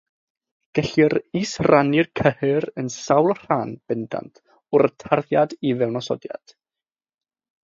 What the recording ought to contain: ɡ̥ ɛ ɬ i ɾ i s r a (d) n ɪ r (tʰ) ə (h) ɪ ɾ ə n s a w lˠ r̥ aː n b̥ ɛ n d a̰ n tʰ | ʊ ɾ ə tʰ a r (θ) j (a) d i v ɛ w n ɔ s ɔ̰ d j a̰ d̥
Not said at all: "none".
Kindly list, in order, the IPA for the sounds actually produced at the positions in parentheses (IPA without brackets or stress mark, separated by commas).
none, kʰ, h, ð, a